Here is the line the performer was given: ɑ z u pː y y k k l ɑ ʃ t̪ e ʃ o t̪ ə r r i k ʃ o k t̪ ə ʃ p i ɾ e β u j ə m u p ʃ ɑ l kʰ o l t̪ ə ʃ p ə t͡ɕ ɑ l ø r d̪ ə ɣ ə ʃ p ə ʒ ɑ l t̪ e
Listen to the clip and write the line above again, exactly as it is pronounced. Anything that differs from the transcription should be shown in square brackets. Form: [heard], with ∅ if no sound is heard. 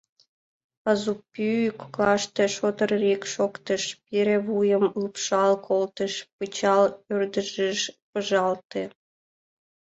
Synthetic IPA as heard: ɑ z u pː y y k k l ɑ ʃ t̪ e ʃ o t̪ ə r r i k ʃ o k t̪ ə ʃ p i ɾ e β u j ə m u p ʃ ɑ l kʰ o l t̪ ə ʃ p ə t͡ɕ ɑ l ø r d̪ ə [ʒ] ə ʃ p ə ʒ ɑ l t̪ e

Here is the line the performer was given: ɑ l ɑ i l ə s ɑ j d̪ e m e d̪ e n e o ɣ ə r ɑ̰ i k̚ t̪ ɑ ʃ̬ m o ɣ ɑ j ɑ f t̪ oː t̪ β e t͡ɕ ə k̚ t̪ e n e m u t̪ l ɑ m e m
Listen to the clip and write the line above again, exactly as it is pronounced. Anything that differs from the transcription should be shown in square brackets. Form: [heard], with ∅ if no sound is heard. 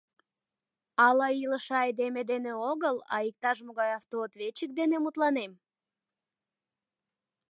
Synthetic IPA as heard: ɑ l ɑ i l ə [ʃ] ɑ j d̪ e m e d̪ e n e o ɣ ə [l] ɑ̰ i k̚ t̪ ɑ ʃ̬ m o ɣ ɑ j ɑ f t̪ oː t̪ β e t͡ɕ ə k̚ [d̪] e n e m u t̪ l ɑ [n] e m

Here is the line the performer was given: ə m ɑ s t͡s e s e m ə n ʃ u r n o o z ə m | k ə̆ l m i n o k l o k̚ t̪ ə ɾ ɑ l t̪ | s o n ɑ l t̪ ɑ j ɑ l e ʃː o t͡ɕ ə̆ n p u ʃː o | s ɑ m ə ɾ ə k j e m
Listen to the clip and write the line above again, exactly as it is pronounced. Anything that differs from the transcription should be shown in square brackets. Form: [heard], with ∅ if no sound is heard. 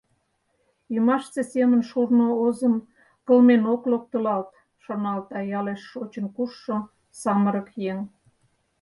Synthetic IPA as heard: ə m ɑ [ʃ] t͡s e s e m ə n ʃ u r n o o z ə m | k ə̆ l m [e] n o k l o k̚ t̪ ə [l] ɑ l t̪ | [ʃ] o n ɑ l t̪ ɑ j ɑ l e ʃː o t͡ɕ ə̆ n [k] u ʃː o | s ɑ m ə ɾ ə k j e [ŋ]

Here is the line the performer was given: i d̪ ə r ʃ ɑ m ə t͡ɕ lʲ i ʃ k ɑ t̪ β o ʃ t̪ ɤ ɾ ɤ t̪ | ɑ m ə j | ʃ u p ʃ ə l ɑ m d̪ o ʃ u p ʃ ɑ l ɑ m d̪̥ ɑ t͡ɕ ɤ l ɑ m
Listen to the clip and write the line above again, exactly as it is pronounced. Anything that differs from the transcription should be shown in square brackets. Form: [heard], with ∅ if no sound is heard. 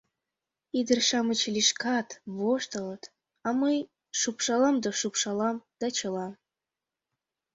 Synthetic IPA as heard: i d̪ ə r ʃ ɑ m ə t͡ɕ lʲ i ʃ k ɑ t̪ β o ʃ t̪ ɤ [l] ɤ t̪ | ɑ m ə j | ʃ u p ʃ [ɑ] l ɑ m d̪ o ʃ u p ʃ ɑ l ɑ m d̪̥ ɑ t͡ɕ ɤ l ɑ m

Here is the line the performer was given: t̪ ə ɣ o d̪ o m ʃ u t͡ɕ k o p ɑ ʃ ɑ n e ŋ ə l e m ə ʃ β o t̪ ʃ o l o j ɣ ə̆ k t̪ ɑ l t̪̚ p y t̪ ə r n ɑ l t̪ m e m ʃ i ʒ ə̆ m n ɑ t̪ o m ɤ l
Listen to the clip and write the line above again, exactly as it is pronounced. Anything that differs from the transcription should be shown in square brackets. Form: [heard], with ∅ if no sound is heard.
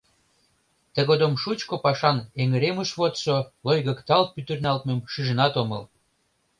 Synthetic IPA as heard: t̪ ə ɣ o d̪ o m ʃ u t͡ɕ k o p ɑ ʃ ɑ n e ŋ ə [ɾ] e m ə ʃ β o t̪ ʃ o l o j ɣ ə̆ k t̪ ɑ l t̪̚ p y t̪ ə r n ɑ l t̪ m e m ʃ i ʒ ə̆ [∅] n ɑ t̪ o m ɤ l

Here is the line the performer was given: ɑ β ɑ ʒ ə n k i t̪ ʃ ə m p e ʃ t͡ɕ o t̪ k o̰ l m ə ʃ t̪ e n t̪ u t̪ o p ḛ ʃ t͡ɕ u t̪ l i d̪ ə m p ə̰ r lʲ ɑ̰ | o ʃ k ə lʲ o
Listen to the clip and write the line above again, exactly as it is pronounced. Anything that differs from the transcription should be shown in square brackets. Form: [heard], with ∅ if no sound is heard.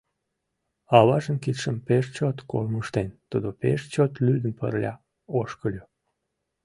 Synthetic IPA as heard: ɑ β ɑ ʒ ə n k i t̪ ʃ ə m p e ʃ t͡ɕ o t̪ k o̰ l m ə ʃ t̪ e n t̪ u [d̪] o p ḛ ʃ t͡ɕ [o] t̪ l [y] d̪ ə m p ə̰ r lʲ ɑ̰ | o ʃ k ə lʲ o

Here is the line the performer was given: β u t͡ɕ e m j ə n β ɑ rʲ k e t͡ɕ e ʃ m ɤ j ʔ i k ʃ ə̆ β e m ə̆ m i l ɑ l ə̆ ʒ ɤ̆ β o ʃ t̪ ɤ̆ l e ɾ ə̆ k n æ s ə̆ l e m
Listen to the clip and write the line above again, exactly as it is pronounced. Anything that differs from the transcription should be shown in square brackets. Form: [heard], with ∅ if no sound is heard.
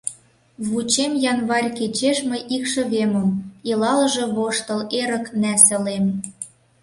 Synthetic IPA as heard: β u t͡ɕ e m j [ɑ] n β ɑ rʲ k e t͡ɕ e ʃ m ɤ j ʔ i k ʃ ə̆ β e m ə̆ m i l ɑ l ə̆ ʒ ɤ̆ β o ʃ t̪ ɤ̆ l e ɾ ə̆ k n æ s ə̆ l e m

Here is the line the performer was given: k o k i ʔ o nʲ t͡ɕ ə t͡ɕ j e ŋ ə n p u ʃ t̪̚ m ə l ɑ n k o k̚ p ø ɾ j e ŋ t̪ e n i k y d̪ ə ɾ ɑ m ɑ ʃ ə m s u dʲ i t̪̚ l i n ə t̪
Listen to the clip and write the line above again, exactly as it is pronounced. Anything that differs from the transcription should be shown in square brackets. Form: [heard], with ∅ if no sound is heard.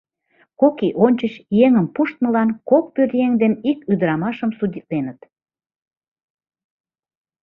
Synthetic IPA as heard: k o k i ʔ o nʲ t͡ɕ ə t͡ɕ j e ŋ ə [m] p u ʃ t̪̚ m ə l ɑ n k o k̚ p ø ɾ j e ŋ [d̪] e n i k y d̪ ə ɾ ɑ m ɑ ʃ ə m s u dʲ i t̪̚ l [e] n ə t̪

